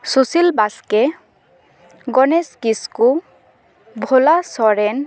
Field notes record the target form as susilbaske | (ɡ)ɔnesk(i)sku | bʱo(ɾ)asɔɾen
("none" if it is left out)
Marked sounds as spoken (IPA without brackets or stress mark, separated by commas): ɡ, i, l